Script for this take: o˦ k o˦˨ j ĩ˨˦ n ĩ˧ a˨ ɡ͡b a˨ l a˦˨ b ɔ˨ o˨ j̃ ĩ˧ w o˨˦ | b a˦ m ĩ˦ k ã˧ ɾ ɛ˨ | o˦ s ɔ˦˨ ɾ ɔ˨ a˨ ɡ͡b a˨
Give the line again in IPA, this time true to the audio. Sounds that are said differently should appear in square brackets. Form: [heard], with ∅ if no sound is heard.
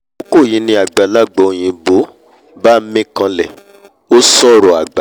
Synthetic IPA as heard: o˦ k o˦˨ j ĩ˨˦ n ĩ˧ a˨ ɡ͡b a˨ l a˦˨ [ɡ͡b] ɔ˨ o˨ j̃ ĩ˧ [b] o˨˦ | b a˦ m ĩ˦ k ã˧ [l] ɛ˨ | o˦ s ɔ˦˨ ɾ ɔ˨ a˨ ɡ͡b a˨